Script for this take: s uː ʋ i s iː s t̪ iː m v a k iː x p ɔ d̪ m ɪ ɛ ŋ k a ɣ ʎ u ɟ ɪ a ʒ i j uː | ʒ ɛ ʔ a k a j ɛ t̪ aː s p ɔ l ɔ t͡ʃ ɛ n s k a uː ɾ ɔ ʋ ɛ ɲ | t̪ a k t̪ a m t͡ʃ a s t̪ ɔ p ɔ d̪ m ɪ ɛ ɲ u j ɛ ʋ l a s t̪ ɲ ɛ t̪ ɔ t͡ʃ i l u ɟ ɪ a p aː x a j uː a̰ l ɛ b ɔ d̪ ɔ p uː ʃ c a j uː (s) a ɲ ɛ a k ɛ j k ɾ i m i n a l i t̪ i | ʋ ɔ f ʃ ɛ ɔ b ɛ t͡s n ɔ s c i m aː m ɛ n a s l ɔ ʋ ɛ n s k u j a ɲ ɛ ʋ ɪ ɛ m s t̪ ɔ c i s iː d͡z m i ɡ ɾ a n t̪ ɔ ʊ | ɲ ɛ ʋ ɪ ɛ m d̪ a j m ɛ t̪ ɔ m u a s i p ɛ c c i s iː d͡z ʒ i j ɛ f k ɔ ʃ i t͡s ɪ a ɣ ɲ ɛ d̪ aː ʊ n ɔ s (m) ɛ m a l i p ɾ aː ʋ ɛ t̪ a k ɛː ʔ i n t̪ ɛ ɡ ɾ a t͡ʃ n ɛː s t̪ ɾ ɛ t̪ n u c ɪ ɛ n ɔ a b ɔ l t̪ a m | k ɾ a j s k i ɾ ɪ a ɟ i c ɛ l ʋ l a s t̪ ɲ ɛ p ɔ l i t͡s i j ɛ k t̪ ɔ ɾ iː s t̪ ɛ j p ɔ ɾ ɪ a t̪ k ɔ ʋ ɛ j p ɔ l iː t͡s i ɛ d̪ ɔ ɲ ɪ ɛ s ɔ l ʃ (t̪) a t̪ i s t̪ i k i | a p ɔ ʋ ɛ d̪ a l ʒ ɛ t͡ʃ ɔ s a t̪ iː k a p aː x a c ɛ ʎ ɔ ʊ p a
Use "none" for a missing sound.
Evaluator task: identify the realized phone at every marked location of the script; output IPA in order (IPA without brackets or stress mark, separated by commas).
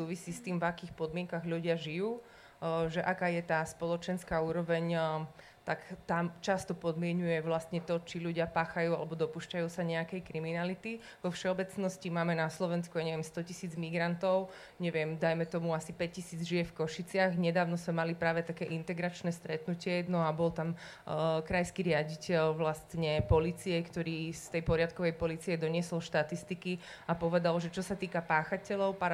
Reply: s, m, t̪